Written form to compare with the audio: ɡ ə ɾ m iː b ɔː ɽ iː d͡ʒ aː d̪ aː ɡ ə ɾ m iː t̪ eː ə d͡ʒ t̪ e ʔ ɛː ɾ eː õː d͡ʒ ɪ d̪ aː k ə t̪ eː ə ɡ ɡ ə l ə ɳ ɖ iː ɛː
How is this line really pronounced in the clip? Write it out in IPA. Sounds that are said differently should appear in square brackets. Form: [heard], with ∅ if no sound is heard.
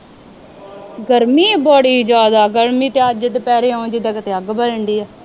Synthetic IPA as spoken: ɡ ə ɾ m iː b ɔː ɽ iː d͡ʒ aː d̪ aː ɡ ə ɾ m iː t̪ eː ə d͡ʒ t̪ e [p] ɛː ɾ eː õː d͡ʒ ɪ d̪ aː k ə t̪ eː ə ɡ [b] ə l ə ɳ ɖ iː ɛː